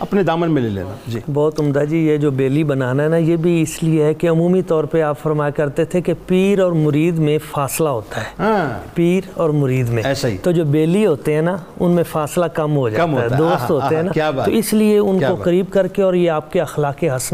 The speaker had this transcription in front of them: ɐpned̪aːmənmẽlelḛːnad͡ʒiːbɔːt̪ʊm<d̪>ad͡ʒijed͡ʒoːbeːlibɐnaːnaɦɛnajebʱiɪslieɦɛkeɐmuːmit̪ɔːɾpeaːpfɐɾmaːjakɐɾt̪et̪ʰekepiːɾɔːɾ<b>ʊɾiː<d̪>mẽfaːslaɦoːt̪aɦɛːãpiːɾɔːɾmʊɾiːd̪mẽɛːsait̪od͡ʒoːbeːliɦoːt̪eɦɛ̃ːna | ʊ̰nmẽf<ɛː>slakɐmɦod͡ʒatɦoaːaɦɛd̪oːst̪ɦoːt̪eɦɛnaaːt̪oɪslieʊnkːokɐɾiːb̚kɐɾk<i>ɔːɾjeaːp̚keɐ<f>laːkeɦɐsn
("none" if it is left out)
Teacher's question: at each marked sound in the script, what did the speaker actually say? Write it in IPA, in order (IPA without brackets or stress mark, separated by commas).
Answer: d̪, m, d̪, aː, e, x